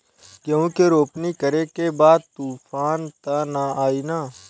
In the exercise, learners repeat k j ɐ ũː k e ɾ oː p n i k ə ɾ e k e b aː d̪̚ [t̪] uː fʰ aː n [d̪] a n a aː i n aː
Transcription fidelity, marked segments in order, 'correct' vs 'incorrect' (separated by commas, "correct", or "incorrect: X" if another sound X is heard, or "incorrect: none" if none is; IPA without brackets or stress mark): correct, incorrect: t̪